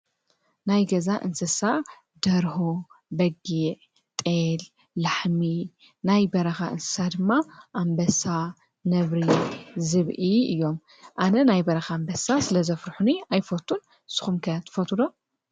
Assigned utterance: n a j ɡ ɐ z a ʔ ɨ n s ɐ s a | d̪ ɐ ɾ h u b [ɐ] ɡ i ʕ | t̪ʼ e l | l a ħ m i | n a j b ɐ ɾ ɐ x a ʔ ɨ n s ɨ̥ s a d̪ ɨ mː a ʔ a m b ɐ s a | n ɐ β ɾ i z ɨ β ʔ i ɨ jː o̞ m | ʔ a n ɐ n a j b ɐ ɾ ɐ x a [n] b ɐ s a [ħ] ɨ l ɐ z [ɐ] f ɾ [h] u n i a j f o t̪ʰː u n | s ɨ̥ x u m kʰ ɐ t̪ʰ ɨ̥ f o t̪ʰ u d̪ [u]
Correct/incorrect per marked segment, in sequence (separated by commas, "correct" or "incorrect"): correct, incorrect, incorrect, correct, incorrect, incorrect